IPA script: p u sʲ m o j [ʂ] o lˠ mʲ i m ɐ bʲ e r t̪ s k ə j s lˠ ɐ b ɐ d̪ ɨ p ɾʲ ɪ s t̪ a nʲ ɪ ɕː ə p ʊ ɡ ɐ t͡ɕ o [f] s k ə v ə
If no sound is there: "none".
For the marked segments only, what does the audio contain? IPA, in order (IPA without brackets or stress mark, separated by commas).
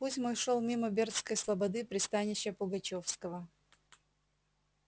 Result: ʂ, f